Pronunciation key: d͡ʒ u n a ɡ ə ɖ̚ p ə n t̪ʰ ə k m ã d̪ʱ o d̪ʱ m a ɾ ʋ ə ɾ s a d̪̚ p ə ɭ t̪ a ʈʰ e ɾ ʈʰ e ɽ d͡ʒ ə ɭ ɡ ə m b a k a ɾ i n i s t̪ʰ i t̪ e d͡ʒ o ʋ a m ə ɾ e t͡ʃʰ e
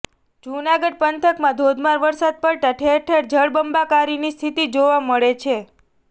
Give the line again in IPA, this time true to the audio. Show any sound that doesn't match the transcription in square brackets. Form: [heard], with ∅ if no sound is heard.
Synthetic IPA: d͡ʒ u n a ɡ ə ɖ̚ p ə n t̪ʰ ə k m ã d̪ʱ o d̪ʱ m a ɾ ʋ ə ɾ s a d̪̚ p ə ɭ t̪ a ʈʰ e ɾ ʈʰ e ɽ d͡ʒ ə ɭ [b] ə m b a k a ɾ i n i s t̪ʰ i t̪ [i] d͡ʒ o ʋ a m ə [ɭ] e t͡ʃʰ e